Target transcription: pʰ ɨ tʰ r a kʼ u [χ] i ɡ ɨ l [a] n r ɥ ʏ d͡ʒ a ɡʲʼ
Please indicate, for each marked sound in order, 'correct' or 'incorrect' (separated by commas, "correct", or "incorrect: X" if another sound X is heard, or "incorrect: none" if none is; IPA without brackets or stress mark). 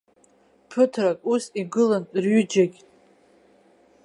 incorrect: s, correct